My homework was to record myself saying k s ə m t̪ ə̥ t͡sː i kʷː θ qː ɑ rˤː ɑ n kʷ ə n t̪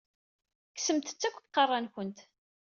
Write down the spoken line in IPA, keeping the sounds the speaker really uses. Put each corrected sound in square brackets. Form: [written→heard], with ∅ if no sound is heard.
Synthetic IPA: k s ə m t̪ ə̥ t͡sː [i→æ] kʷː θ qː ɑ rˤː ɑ n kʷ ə n t̪